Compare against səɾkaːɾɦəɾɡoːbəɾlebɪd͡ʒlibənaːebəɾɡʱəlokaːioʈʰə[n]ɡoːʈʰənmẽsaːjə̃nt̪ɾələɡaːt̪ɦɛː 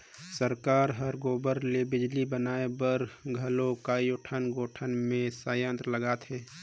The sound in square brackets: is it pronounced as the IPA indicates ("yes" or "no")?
yes